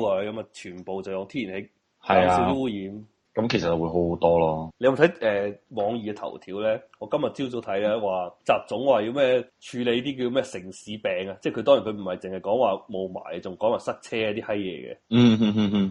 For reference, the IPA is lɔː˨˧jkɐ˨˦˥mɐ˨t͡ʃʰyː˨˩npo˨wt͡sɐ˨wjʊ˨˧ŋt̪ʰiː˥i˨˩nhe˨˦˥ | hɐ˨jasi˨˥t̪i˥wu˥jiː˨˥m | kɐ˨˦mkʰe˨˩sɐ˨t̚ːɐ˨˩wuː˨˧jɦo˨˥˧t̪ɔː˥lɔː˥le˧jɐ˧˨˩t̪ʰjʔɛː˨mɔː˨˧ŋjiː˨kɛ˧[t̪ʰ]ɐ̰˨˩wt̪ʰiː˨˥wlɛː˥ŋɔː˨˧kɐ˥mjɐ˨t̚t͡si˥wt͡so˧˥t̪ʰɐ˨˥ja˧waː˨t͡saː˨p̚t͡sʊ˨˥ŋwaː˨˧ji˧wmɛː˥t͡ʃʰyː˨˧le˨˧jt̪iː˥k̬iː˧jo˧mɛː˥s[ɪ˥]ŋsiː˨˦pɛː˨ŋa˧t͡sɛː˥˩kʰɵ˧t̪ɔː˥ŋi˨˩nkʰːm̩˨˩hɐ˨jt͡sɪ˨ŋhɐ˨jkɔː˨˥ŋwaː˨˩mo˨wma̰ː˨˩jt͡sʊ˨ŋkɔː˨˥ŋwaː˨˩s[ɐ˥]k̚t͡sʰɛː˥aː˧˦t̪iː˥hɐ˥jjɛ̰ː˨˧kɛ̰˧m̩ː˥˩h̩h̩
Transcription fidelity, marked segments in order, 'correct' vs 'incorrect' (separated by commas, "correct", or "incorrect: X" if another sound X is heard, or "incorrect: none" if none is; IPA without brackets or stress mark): correct, incorrect: ɪ˨˩, correct